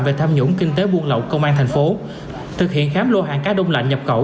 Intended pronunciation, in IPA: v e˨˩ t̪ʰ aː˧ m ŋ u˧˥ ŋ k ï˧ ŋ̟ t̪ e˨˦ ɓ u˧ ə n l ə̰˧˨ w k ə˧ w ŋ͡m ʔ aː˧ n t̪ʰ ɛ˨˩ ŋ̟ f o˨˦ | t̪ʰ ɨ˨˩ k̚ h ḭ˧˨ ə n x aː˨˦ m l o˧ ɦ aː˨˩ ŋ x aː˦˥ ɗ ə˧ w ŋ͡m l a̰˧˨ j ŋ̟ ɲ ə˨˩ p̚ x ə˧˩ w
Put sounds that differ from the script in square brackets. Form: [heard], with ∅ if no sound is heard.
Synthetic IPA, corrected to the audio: v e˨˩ t̪ʰ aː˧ m [ɲ] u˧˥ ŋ k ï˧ ŋ̟ t̪ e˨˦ ɓ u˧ ə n l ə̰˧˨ w k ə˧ w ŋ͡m ʔ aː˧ n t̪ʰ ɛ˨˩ ŋ̟ f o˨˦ | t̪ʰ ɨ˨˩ k̚ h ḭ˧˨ ə n x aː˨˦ m l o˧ ɦ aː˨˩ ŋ [k] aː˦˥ ɗ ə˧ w ŋ͡m l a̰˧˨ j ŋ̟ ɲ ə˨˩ p̚ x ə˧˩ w